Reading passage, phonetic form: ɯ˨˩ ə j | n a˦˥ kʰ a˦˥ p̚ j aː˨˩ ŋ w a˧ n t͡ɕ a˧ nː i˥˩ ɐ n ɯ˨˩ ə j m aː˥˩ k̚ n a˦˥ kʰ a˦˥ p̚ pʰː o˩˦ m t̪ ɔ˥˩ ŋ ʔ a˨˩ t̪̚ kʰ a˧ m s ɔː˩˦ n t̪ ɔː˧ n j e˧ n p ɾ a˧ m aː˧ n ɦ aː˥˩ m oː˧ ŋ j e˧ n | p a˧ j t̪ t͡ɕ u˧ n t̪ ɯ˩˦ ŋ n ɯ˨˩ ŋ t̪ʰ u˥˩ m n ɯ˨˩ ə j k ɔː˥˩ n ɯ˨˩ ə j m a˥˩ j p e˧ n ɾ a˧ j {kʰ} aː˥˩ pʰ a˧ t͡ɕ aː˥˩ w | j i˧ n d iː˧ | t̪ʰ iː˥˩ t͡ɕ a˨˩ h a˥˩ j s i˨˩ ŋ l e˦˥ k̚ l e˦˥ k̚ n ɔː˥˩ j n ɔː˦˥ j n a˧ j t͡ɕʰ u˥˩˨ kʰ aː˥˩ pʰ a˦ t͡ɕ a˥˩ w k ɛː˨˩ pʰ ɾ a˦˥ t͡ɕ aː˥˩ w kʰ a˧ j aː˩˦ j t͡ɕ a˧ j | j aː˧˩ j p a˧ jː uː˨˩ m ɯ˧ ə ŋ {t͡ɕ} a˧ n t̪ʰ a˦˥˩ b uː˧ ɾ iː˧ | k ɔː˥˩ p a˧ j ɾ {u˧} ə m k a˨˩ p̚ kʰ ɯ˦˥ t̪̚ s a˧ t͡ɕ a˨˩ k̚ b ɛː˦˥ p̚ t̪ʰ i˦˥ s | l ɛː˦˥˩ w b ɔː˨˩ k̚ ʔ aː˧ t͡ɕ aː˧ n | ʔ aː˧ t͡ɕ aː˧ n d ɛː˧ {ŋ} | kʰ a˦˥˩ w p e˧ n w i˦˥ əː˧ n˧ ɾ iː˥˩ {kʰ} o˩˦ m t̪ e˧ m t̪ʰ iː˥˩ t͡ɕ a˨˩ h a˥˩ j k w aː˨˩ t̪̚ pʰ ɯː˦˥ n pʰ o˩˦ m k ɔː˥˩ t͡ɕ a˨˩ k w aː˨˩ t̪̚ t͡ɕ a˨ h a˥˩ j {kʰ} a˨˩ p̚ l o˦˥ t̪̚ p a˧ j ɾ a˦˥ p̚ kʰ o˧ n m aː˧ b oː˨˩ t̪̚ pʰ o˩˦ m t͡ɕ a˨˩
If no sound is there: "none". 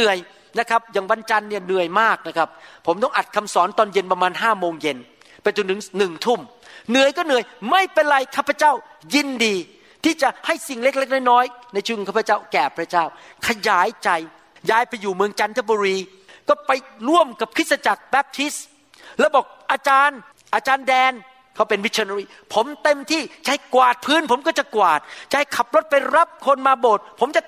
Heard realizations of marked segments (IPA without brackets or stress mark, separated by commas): kʰ, t͡ɕ, u˥˩, n, pʰ, kʰ